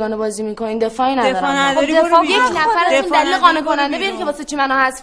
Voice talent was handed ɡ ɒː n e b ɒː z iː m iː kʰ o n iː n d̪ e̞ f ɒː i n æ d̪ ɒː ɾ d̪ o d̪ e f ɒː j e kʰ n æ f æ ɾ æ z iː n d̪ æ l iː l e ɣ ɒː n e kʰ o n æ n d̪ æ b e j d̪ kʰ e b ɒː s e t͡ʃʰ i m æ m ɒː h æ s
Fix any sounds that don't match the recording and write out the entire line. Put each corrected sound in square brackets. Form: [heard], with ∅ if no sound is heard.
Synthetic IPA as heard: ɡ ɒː n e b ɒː z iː m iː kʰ o n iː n d̪ e̞ f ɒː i n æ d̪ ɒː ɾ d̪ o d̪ e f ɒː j e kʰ n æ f æ ɾ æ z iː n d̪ æ l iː l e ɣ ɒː n e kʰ o n æ n d̪ [e] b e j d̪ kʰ e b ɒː s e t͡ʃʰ i m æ [n] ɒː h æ s